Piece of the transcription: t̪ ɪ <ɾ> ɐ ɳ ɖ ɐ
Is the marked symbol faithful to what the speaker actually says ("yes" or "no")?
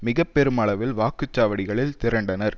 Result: yes